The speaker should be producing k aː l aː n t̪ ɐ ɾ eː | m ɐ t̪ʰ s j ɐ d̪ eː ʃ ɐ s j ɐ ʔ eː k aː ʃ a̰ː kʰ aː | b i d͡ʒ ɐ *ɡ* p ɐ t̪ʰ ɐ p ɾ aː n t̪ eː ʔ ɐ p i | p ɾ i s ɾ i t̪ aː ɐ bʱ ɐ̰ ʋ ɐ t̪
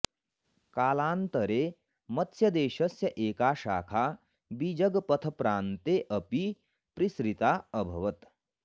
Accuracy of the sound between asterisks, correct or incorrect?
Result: correct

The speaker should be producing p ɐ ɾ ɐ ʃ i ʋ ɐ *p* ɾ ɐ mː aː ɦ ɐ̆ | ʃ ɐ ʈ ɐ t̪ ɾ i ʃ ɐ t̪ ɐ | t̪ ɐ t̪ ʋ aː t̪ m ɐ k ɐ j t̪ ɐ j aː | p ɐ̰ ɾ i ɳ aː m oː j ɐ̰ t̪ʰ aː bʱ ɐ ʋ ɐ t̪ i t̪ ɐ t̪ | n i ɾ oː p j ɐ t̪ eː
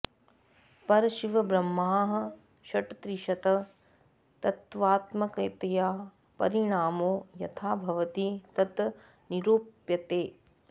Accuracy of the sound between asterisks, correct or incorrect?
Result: incorrect: b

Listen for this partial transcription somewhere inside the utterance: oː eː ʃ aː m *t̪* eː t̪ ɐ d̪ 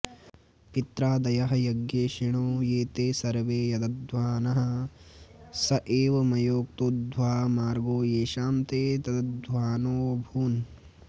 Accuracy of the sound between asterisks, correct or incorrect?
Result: correct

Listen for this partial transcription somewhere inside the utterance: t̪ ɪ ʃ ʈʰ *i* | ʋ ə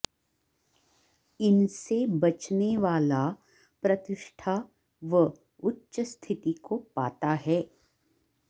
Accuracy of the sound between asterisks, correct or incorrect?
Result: incorrect: a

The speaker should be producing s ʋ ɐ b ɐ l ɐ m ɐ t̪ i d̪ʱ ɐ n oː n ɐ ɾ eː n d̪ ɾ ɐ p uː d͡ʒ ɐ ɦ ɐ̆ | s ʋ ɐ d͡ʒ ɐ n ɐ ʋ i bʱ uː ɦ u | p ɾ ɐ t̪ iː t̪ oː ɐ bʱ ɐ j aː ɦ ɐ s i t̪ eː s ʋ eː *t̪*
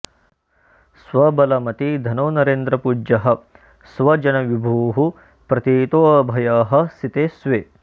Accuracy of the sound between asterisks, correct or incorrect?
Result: incorrect: none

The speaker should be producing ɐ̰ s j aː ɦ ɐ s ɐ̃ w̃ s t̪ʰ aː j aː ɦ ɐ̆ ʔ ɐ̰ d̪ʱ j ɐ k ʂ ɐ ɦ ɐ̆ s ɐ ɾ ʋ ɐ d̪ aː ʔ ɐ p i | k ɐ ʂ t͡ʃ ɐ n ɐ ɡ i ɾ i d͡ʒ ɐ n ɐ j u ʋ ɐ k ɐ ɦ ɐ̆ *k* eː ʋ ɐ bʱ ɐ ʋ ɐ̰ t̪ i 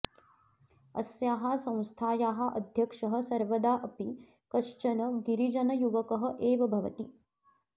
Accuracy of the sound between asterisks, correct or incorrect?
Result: incorrect: ʔ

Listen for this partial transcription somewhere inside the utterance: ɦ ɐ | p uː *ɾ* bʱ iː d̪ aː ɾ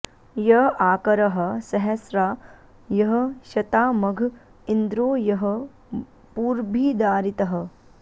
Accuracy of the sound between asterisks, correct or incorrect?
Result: correct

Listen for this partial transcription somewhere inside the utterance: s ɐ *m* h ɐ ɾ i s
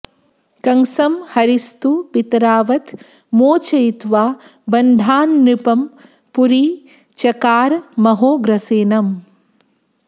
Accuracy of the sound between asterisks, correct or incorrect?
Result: correct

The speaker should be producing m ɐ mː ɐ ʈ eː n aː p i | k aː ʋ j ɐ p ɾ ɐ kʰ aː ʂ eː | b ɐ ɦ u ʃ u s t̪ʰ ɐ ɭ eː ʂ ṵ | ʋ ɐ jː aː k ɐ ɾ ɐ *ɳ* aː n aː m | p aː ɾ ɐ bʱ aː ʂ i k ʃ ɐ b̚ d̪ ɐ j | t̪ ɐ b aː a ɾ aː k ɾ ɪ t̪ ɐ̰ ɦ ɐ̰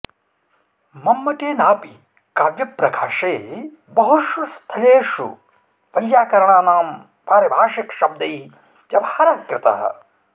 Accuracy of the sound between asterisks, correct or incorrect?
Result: correct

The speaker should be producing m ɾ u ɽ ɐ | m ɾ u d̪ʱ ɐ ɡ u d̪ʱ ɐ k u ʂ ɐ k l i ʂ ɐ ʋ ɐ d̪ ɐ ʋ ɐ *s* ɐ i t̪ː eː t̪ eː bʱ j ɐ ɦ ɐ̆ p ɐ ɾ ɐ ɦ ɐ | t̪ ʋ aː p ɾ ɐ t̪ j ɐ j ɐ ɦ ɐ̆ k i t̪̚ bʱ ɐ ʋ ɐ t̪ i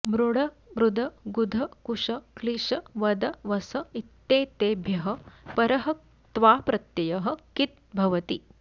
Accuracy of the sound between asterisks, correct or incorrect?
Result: correct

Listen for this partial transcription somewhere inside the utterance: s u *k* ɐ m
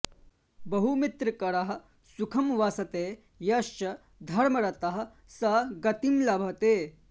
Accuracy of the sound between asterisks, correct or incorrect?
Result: incorrect: kʰ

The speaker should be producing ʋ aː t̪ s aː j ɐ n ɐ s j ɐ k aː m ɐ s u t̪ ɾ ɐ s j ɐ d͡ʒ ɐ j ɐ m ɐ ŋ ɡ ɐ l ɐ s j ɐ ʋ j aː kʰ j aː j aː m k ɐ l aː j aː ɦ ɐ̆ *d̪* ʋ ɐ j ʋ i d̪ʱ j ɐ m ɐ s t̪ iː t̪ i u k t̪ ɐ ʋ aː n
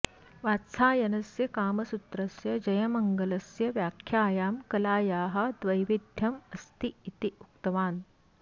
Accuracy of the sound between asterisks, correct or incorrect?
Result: correct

